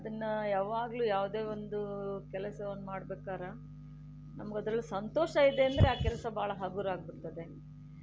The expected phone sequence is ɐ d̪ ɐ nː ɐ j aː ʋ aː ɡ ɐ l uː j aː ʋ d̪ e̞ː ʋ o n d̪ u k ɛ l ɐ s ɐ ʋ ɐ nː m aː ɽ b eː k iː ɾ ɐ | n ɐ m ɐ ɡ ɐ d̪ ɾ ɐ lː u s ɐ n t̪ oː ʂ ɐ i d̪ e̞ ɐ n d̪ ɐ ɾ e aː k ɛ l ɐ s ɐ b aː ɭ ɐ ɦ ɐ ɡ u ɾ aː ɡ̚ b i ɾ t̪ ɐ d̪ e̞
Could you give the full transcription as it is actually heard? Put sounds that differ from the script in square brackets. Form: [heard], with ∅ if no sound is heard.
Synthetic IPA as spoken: ɐ d̪ ɐ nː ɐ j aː ʋ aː ɡ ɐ l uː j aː ʋ d̪ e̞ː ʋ o n d̪ u k ɛ l ɐ s ɐ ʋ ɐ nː m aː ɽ b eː k [aː] ɾ ɐ | n ɐ m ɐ ɡ ɐ d̪ ɾ ɐ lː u s ɐ n t̪ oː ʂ ɐ i d̪ e̞ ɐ n d̪ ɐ ɾ e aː k ɛ l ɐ s ɐ b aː ɭ ɐ ɦ ɐ ɡ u ɾ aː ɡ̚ b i ɾ t̪ ɐ d̪ e̞